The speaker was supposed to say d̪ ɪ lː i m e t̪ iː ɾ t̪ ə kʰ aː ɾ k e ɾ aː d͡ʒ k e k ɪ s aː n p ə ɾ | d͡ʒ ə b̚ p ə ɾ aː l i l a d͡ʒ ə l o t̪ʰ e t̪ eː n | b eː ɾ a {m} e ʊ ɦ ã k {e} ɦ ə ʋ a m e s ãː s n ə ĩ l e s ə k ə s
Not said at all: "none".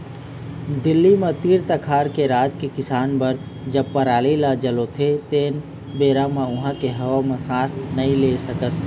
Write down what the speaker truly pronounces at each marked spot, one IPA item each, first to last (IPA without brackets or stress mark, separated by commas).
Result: m, e